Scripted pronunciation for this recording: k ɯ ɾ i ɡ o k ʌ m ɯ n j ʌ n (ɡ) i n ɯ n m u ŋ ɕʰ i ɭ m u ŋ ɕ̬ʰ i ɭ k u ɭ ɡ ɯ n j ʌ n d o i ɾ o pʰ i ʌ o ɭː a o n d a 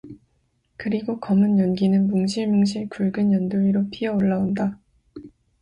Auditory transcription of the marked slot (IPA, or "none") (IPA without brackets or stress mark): ɡ